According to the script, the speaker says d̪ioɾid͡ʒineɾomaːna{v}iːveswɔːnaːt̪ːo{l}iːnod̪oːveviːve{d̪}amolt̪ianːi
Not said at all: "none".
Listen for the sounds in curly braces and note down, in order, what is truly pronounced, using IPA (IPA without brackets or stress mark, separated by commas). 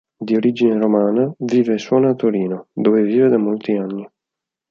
v, ɾ, d̪